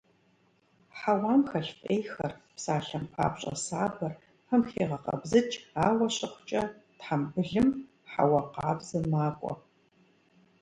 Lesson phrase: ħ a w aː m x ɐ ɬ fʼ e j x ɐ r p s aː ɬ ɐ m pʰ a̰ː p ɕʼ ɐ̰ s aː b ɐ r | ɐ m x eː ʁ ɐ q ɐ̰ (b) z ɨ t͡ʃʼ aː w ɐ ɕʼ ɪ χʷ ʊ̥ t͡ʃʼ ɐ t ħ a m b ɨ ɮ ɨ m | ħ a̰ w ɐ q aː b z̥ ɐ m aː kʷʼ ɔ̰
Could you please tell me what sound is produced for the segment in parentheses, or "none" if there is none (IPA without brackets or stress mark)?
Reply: b